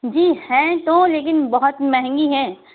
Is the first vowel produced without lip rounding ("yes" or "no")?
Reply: yes